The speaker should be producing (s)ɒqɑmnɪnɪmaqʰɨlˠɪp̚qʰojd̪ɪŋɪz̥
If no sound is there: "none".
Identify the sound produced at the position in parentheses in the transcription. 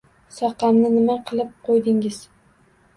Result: s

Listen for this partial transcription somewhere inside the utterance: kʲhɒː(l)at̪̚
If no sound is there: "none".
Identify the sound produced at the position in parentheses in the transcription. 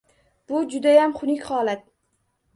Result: l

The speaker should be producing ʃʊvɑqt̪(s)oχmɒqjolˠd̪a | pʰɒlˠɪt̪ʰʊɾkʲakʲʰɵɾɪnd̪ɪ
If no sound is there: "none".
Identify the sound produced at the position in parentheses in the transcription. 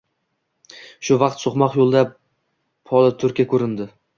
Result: s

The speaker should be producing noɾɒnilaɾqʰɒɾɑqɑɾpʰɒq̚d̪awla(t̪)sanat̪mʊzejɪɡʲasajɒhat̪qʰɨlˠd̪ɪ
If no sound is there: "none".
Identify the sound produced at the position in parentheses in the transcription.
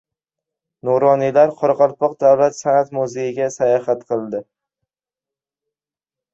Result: t̪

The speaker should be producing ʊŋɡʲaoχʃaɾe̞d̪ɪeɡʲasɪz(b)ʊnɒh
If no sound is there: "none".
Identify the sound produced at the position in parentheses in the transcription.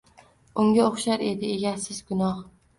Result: ɡ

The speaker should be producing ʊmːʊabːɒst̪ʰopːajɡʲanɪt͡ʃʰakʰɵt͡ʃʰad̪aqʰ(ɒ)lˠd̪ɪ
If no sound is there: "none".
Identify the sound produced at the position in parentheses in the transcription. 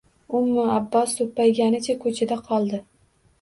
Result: ɒ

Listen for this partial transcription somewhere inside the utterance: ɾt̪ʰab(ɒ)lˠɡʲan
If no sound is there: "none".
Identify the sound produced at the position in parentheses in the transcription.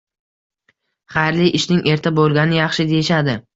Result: o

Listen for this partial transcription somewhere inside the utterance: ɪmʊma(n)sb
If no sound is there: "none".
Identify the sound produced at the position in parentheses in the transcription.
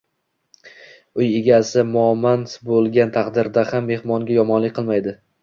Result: n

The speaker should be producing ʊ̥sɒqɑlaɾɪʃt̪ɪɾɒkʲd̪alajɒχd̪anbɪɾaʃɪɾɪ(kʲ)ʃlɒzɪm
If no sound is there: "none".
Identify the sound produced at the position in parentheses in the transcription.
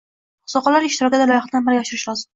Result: none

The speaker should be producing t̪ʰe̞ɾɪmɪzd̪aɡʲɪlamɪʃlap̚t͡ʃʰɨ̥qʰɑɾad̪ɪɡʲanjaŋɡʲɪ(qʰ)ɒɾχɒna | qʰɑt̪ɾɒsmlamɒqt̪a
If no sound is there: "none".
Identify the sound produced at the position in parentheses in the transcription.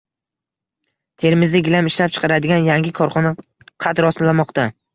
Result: kʰ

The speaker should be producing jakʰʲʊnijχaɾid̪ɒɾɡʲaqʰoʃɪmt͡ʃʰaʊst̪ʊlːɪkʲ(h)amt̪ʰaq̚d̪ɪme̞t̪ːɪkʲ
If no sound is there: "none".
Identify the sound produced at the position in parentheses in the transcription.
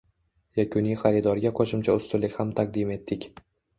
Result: h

